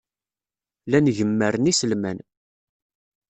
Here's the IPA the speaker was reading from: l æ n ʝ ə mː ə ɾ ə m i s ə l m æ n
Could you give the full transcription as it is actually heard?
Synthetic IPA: l æ n ʝ ə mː ə ɾ ə n i s ə l m æ n